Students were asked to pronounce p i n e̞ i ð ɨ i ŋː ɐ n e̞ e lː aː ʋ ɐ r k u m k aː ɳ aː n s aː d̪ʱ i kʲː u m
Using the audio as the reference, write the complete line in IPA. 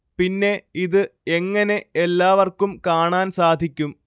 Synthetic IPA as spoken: p i nː e̞ i ð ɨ e ŋː ɐ n e̞ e lː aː ʋ ɐ r k u m k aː ɳ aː n s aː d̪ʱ i kʲː u m